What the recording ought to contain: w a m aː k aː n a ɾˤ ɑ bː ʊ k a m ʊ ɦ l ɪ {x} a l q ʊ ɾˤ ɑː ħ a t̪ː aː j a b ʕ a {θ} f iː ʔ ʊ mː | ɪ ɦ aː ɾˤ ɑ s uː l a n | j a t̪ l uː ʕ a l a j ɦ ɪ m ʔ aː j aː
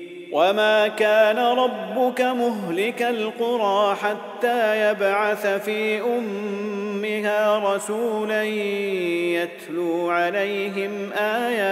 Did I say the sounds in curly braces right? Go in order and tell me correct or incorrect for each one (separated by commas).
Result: incorrect, correct